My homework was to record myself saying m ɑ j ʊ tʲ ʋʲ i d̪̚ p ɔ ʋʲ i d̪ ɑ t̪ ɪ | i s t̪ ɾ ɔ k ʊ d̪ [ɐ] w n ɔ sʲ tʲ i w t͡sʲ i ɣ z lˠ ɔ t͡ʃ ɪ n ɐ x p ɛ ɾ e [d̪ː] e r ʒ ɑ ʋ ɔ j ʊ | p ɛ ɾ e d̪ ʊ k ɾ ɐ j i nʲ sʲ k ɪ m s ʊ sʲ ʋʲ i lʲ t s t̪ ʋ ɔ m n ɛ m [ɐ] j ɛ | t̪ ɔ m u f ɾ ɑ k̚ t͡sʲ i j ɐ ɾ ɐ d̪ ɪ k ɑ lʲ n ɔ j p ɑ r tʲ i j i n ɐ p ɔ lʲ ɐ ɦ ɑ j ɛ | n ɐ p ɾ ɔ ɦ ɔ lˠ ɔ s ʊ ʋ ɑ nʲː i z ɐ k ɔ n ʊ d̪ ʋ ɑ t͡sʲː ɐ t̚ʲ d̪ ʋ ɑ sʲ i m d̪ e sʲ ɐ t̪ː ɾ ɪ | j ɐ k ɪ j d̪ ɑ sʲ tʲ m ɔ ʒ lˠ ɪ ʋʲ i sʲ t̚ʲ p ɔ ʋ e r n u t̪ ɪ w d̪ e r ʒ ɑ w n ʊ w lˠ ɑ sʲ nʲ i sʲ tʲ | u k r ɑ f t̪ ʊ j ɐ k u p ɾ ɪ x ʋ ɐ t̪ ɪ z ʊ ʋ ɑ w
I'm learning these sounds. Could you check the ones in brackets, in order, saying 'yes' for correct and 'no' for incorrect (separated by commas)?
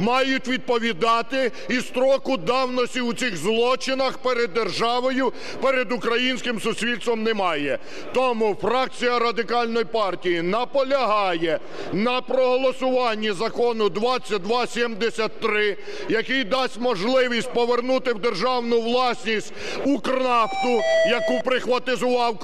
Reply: no, yes, no